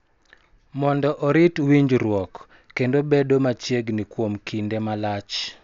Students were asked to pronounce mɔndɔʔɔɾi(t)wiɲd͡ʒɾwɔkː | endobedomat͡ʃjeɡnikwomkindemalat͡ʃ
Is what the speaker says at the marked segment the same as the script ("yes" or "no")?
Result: yes